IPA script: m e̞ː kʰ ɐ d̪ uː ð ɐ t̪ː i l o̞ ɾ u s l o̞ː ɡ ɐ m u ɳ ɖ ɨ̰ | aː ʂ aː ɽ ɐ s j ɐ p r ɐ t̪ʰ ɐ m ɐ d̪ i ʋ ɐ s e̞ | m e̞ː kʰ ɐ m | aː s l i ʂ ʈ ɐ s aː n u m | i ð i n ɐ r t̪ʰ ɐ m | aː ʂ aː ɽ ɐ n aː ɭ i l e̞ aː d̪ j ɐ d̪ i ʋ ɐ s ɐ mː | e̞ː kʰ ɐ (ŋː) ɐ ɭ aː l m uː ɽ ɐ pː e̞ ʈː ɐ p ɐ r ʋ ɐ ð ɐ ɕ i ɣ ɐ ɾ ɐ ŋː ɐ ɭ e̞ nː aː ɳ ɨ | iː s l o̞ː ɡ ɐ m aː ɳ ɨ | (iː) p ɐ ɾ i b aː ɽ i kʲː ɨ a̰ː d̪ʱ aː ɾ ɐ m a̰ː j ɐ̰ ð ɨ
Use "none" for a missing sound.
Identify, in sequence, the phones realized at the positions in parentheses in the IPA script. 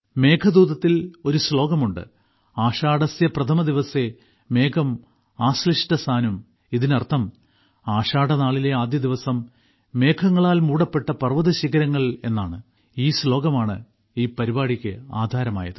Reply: ŋː, iː

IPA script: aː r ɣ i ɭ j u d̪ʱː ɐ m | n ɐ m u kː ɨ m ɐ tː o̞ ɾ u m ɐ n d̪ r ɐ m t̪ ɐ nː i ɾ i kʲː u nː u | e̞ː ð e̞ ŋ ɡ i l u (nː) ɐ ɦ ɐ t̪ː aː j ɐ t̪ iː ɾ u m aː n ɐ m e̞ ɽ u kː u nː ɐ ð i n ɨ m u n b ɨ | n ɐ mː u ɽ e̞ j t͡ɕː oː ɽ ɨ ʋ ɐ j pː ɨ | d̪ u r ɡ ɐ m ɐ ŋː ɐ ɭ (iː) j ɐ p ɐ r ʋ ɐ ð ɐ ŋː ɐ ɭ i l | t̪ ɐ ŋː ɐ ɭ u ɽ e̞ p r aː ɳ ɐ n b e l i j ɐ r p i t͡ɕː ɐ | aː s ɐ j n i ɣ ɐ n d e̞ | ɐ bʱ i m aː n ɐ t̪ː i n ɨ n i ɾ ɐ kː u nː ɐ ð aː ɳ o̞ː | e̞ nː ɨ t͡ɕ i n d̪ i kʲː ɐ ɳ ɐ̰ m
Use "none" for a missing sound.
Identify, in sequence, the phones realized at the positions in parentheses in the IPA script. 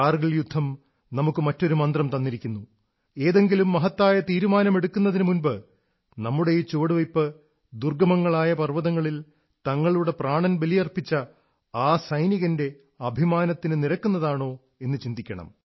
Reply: mː, aː

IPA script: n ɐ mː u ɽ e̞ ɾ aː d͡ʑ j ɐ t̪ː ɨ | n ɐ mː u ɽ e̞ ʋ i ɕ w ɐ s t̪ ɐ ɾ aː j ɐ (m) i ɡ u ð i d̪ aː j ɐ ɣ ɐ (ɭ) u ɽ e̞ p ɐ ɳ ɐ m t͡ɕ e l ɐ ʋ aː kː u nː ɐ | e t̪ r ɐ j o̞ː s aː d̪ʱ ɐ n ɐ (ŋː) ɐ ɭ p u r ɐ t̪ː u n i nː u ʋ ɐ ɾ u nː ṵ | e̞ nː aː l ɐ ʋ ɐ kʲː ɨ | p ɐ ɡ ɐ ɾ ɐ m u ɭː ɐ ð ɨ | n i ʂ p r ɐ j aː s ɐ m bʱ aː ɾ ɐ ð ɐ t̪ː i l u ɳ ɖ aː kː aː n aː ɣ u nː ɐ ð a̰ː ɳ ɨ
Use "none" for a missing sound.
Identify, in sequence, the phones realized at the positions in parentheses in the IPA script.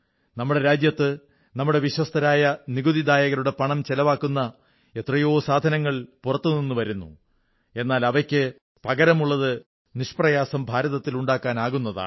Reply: n, ɾ, ŋː

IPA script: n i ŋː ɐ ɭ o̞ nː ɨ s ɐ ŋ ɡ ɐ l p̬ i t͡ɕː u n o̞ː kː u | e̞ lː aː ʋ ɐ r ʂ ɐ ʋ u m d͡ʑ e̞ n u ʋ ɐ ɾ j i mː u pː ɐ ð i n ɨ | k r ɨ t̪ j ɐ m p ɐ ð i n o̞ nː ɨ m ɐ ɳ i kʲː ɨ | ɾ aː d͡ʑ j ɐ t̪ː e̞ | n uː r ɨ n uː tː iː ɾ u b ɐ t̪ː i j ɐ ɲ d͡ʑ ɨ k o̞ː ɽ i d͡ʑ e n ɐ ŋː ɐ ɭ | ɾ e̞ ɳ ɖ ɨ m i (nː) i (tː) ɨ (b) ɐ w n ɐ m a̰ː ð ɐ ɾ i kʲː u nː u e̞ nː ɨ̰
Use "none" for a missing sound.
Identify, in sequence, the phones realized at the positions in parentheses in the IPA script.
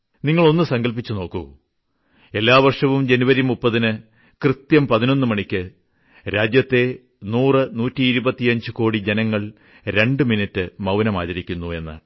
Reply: n, tː, m

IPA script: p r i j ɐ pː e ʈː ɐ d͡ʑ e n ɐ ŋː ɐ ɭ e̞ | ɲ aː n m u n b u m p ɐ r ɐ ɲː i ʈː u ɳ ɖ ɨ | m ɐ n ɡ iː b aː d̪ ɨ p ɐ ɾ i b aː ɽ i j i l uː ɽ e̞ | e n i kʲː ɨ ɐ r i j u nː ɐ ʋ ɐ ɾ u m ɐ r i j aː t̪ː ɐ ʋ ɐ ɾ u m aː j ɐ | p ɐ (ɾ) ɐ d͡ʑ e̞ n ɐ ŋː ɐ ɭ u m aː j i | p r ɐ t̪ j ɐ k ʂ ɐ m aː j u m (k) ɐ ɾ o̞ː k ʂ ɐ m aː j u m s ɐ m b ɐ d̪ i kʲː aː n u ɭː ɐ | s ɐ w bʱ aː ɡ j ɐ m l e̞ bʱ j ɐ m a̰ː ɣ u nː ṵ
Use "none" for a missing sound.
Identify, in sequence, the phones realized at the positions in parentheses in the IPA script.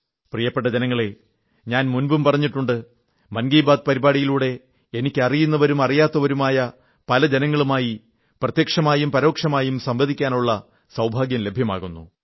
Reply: l, p

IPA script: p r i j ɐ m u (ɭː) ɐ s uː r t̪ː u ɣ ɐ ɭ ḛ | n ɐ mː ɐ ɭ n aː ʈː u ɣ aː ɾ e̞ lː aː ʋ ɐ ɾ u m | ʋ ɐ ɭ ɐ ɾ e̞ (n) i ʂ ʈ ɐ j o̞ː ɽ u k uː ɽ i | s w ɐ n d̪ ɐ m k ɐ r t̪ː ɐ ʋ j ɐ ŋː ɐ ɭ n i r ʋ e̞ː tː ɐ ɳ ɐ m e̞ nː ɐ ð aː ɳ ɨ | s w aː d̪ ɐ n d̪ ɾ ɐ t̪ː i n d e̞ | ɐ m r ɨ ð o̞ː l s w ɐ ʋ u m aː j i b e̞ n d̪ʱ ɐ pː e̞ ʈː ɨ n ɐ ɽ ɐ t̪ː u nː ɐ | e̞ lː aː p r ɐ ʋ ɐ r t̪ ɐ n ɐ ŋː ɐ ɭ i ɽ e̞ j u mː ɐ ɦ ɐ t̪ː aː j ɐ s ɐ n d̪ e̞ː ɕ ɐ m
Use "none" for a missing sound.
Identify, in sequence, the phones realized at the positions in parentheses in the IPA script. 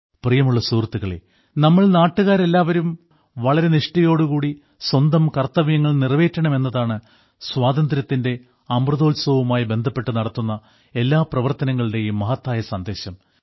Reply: ɭː, n

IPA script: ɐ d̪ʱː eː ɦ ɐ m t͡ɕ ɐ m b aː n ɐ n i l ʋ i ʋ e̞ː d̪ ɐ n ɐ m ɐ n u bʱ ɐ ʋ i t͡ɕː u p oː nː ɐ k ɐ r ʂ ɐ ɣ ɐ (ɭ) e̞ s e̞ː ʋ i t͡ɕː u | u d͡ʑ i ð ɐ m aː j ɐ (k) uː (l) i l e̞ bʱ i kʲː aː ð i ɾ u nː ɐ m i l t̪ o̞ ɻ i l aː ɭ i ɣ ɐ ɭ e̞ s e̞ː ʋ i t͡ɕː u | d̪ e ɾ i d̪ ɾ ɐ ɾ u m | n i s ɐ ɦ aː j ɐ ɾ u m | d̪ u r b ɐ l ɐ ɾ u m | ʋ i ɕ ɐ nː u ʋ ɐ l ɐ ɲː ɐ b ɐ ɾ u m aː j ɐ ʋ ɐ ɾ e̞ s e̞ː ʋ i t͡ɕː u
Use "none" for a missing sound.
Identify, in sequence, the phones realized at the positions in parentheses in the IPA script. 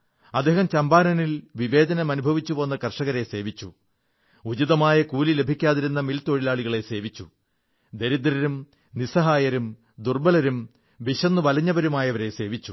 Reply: ɾ, k, l

